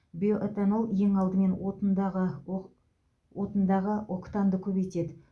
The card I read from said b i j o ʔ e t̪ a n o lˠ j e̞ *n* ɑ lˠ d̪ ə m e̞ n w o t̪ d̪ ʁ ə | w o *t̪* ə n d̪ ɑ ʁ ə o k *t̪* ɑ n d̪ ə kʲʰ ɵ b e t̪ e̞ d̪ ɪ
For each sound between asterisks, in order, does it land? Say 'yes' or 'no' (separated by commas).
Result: no, yes, yes